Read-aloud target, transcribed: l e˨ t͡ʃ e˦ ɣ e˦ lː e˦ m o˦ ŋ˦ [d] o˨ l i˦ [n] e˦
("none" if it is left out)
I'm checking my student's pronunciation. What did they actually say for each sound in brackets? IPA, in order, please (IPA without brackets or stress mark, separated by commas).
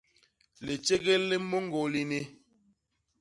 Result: ɡ, n